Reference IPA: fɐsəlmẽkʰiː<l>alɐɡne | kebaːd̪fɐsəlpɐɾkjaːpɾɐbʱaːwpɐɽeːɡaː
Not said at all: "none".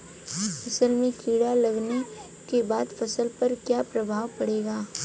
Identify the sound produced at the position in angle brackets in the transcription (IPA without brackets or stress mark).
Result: ɽ